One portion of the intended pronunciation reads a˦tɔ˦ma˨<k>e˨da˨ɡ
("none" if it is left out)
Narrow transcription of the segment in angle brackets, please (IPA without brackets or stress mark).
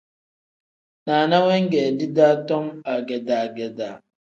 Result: ɡ